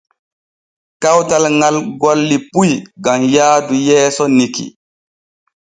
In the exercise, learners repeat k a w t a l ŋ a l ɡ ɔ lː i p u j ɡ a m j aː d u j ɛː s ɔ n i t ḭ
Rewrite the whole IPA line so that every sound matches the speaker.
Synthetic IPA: k a w t a l ŋ a l ɡ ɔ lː i p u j ɡ a m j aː d u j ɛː s ɔ n i k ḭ